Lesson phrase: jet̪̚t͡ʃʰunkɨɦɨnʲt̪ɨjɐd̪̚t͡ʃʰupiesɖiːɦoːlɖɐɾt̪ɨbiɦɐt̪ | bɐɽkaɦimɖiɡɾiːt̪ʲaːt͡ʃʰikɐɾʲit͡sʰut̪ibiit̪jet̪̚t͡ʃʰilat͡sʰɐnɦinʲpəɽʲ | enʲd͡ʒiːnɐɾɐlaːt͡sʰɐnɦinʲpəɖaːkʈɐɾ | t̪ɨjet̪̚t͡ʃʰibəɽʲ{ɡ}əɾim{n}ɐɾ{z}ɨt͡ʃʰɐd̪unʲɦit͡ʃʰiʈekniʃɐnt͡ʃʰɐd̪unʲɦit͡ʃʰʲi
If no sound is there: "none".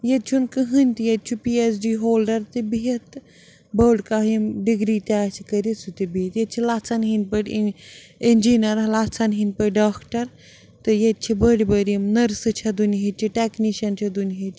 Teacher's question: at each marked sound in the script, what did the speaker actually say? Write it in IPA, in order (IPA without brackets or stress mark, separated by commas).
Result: b, n, s